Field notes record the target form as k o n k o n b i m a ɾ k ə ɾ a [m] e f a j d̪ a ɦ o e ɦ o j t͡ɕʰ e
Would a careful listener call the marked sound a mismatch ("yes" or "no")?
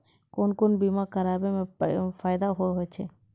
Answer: yes